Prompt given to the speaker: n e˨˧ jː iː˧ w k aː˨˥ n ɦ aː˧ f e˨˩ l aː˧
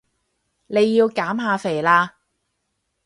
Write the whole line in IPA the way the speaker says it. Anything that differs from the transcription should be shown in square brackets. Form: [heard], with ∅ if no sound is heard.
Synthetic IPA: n e˨˧ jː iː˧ w k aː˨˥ [m] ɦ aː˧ f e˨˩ l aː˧